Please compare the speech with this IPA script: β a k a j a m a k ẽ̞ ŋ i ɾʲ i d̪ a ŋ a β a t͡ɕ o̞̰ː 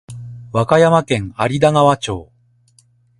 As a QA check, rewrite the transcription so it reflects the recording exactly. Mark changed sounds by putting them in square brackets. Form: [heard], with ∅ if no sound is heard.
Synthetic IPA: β a k a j a m a k ẽ̞ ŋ [a] ɾʲ i d̪ a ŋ a β a t͡ɕ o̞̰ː